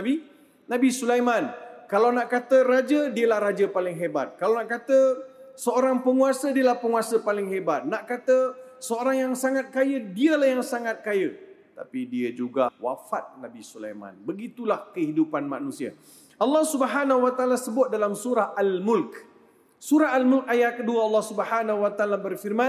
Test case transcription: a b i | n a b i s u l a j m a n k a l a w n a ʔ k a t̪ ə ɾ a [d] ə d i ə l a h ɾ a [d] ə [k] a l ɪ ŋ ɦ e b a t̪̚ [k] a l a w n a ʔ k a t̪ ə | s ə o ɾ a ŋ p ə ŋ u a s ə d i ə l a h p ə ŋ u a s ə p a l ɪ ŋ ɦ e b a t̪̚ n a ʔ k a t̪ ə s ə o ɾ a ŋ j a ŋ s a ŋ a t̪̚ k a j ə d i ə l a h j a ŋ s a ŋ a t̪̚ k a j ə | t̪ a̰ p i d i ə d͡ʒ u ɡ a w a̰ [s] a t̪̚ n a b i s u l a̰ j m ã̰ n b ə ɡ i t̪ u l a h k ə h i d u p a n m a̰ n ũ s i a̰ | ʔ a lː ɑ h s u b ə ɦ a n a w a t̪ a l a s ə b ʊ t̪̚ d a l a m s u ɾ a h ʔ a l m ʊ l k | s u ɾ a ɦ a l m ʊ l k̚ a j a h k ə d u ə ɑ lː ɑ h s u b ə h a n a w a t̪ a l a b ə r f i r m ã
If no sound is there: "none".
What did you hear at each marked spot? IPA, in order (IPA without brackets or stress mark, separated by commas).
d͡ʒ, d͡ʒ, p, k, f